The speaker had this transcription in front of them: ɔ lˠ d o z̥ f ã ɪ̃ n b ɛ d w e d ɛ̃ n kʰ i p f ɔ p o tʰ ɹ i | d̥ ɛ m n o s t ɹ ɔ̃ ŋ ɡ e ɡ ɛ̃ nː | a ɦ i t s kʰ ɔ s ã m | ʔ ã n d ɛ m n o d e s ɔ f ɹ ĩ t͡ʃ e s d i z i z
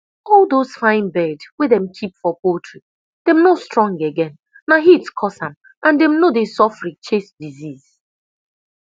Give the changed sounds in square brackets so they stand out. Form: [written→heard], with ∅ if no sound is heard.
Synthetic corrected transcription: ɔ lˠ d o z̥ f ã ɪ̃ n b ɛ d w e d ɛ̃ [n→m] kʰ i p f ɔ p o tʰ ɹ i | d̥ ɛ m n o s t ɹ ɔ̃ ŋ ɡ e ɡ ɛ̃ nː | a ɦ i t s kʰ ɔ s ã m | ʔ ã n d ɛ m n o d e s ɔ f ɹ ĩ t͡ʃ e s d i z i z